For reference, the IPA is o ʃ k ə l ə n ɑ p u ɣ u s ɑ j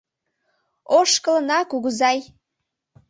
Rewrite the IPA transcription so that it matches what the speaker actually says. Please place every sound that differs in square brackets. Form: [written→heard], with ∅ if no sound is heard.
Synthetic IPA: o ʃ k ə l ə n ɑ [p→k] u ɣ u [s→z] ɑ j

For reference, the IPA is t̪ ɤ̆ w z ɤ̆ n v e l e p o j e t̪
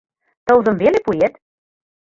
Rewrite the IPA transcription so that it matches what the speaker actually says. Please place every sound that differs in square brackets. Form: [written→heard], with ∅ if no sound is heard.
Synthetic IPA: t̪ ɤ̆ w z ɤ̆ [n→m] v e l e p [o→u] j e t̪

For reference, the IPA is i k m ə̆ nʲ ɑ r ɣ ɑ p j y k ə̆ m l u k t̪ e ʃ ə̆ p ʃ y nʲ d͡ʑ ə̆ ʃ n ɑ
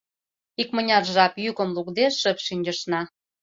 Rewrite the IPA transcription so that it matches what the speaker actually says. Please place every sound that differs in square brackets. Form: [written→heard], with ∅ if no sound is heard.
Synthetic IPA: i k m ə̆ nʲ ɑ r [ɣ→ʒ] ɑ p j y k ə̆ m l u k [t̪→d̪] e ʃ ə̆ p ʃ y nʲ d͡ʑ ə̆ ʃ n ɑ

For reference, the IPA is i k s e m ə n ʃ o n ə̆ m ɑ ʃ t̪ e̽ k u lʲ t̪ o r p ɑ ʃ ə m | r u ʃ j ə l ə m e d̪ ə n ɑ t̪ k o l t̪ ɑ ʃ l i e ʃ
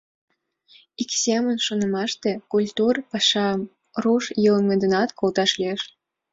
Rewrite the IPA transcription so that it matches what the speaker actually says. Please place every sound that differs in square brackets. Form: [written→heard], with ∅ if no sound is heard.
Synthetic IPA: i k s e m ə n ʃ o n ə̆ m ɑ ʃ t̪ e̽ k u lʲ t̪ [o→u] r p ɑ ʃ [ə→ɑ] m | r u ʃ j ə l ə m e d̪ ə n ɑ t̪ k o l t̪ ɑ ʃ l i e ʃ

